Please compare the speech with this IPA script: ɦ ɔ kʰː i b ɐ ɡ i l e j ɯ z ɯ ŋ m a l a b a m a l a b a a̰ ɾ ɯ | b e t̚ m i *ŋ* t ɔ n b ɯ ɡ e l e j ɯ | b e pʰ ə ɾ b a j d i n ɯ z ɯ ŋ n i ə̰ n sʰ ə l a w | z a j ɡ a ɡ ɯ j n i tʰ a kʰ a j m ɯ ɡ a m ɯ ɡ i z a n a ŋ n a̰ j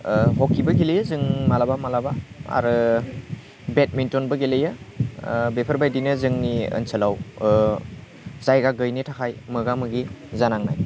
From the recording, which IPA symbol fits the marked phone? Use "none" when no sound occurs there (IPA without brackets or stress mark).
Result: n